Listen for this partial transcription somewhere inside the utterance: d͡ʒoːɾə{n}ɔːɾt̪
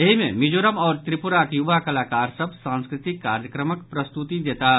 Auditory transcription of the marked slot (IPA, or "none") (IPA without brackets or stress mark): m